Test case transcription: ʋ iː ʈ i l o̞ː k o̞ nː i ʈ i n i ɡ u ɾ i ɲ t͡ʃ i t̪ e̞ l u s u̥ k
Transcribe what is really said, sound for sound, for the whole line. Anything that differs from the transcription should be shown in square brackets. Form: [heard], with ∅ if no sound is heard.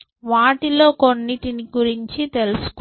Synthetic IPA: ʋ [aː] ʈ i l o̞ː k o̞ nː i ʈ i n i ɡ u ɾ i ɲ t͡ʃ i t̪ e̞ l u s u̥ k

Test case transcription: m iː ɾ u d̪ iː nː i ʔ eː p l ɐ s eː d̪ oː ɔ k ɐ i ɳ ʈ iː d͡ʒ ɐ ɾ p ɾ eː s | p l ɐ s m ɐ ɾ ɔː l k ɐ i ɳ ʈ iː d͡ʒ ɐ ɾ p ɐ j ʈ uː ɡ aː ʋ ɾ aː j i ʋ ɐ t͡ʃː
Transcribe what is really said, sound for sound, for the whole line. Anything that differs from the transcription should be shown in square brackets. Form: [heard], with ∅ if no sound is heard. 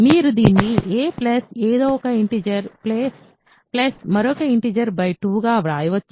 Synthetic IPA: m iː ɾ u d̪ iː nː i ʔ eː p l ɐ s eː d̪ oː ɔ k ɐ i ɳ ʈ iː d͡ʒ ɐ ɾ p [l] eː s | p l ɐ s m ɐ ɾ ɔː [∅] k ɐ i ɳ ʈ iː d͡ʒ ɐ ɾ [b] ɐ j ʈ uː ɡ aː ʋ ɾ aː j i ʋ ɐ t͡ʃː

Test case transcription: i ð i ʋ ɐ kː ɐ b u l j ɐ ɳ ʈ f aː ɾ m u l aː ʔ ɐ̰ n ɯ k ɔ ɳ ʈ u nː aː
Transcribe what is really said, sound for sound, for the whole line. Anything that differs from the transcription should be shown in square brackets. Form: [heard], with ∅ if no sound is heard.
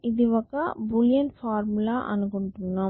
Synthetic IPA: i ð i ʋ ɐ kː ɐ b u l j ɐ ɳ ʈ f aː ɾ m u l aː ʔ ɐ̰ n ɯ k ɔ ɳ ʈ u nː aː

